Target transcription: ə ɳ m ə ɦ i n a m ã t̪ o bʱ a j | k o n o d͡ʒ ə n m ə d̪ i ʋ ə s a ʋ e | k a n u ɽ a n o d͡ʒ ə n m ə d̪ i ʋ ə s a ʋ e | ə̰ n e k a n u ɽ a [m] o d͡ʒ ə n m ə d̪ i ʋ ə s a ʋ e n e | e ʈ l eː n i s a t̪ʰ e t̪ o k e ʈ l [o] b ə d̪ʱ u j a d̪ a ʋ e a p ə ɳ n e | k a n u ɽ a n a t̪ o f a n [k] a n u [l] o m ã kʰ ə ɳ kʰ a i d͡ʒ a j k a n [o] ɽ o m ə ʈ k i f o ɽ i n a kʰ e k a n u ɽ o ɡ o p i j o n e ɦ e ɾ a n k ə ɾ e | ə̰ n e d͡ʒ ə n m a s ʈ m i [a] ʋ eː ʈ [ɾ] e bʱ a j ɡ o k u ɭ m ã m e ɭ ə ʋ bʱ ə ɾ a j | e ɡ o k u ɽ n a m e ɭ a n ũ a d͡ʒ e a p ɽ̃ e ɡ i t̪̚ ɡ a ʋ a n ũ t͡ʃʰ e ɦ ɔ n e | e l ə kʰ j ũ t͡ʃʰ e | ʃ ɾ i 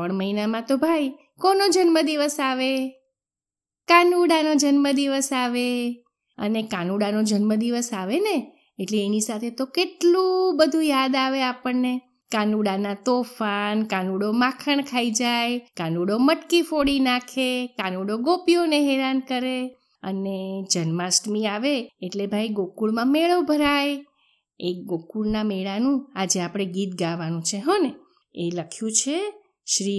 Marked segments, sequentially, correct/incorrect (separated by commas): incorrect, incorrect, correct, incorrect, incorrect, correct, incorrect